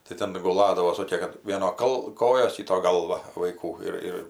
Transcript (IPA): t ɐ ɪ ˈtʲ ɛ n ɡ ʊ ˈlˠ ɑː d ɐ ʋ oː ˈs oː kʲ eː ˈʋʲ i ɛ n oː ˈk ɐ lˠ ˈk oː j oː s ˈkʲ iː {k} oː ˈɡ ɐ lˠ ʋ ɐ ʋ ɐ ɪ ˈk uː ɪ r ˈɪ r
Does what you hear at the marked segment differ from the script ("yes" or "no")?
yes